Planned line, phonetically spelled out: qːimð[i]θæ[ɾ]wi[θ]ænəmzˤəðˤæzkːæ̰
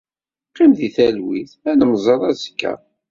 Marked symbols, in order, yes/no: yes, no, yes

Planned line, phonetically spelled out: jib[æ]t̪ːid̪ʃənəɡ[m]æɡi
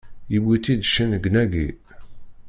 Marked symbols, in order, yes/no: no, no

